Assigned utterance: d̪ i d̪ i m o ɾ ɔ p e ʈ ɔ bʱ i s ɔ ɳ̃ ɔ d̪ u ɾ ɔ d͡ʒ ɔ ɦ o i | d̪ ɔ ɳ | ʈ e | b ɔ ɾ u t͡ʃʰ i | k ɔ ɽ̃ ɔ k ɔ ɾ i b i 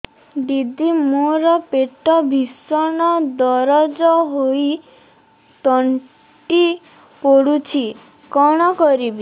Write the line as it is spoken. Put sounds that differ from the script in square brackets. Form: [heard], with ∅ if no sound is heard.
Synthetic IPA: d̪ i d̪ i m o ɾ ɔ p e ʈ ɔ bʱ i s ɔ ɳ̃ ɔ d̪ [ɔ] ɾ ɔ d͡ʒ ɔ ɦ o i | [t̪] ɔ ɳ | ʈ [i] | [p] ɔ [ɽ] u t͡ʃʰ i | k ɔ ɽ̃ ɔ k ɔ ɾ i b i